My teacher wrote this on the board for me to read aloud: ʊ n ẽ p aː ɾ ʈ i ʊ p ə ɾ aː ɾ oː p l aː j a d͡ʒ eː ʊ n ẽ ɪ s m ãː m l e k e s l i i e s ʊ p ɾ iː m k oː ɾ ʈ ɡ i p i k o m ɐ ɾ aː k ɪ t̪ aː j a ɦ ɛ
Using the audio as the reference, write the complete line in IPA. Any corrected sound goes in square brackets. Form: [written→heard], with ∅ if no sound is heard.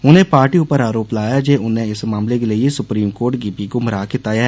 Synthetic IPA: ʊ n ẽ p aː ɾ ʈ i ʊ p ə ɾ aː ɾ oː p l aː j a d͡ʒ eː ʊ n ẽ ɪ s m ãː m l e k e [s→∅] l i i e s ʊ p ɾ iː m k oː ɾ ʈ ɡ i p i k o m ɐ ɾ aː k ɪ t̪ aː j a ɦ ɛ